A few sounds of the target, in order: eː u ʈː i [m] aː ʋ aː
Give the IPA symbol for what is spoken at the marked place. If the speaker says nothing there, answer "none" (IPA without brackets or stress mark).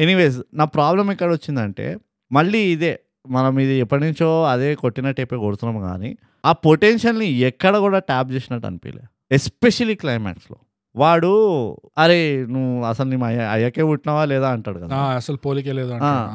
n